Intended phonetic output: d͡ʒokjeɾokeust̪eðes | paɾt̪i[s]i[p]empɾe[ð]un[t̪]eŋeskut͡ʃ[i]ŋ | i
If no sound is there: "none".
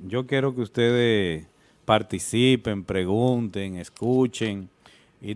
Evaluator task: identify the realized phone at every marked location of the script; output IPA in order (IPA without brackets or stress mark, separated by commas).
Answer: s, p, ɣ, t̪, e